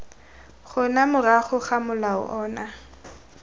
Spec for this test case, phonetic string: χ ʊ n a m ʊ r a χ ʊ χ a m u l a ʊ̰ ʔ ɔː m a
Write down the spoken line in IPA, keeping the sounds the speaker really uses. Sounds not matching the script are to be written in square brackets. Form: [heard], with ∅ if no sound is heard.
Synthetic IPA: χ ʊ n a m ʊ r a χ ʊ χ a m [ʊ] l a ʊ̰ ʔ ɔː [n] a